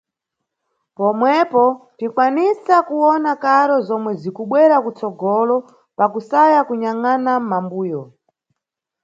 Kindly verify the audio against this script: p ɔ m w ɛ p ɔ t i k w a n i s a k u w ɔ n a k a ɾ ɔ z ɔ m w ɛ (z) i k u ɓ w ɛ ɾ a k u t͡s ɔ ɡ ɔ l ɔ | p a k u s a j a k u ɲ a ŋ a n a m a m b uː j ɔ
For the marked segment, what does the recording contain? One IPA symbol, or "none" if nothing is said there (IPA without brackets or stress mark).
z